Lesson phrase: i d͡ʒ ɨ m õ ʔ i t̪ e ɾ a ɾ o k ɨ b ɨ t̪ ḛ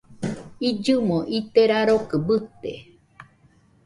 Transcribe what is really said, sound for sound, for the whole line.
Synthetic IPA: i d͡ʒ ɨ m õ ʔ i t̪ e ɾ a ɾ o k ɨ b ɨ t̪ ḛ